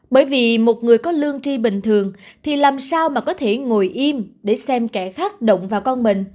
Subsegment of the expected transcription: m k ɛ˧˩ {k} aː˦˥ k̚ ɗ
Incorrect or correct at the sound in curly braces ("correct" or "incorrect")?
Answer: incorrect